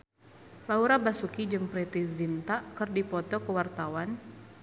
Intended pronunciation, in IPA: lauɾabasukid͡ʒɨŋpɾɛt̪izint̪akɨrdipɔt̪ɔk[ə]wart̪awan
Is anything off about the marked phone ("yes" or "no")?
no